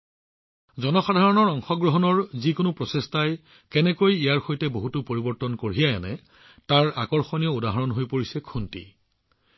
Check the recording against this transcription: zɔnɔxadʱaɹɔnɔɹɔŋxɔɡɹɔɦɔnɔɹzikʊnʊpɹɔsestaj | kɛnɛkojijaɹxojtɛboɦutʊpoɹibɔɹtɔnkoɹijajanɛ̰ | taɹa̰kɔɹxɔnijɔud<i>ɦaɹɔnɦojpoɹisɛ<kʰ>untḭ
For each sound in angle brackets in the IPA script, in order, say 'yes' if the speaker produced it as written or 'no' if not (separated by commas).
no, yes